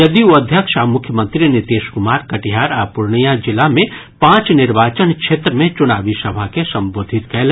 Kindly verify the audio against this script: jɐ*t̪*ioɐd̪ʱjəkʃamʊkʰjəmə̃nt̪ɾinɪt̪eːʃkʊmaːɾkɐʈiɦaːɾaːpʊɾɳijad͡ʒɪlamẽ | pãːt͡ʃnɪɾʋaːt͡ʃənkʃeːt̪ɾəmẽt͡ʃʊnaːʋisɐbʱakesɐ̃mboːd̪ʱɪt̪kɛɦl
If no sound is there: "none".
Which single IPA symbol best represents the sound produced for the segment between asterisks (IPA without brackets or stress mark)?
d̪